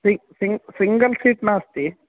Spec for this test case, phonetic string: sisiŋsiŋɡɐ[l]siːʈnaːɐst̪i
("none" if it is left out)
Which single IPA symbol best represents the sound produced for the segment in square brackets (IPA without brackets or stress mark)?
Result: l